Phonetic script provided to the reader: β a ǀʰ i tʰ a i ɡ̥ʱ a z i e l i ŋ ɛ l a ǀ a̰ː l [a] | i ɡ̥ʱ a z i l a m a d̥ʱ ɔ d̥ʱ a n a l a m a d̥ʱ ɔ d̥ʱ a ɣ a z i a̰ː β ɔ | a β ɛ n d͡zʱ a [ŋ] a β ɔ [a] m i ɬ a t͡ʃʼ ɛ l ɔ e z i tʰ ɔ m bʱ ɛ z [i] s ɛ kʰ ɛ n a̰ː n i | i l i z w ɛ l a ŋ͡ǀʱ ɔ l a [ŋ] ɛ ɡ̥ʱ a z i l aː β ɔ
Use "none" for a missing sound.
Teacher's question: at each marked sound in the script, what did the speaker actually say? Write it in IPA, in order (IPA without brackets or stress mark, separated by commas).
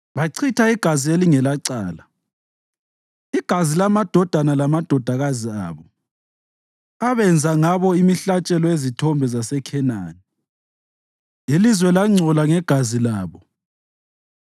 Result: a, ŋ, i, a, ŋ